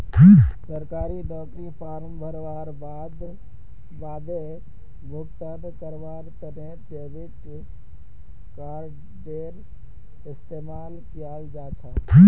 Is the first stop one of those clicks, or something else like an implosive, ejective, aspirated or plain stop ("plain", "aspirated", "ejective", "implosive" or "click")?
plain